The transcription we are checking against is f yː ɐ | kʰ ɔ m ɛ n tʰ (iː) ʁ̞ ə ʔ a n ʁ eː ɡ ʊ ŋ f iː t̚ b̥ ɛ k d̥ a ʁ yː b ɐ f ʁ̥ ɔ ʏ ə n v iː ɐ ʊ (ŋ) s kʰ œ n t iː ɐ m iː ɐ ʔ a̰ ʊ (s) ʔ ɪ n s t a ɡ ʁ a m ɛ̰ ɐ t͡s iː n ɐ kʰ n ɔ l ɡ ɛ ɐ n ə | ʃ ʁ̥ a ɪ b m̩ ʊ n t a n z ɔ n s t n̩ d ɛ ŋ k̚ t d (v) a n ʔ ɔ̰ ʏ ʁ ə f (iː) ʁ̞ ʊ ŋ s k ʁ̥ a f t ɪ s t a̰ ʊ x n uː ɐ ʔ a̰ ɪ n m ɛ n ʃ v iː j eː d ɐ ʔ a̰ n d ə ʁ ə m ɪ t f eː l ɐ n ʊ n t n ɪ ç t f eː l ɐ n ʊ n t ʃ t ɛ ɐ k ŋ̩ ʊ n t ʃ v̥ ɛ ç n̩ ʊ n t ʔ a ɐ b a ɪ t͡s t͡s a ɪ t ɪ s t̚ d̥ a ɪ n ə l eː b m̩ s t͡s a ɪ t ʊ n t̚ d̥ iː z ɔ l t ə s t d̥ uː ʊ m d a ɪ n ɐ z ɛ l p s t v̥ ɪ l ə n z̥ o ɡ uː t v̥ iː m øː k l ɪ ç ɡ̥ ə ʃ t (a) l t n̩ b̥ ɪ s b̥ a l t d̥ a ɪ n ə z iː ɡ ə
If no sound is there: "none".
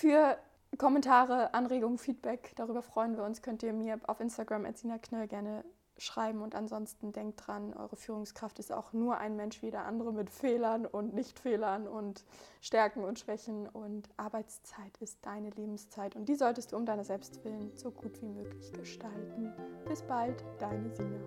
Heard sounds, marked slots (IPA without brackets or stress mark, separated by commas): aː, n, f, ʁ, yː, a